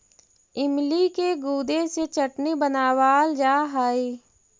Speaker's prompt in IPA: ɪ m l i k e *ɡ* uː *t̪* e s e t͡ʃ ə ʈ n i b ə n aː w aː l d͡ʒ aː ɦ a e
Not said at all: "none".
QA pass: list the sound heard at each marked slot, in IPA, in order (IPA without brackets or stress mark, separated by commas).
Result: ɡ, d̪